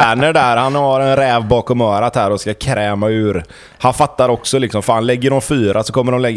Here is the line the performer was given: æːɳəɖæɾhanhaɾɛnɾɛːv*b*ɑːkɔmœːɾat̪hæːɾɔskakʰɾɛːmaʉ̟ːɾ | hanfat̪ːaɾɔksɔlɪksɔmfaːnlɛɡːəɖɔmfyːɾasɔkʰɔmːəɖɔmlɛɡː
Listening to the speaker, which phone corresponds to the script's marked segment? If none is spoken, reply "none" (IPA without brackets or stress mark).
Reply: b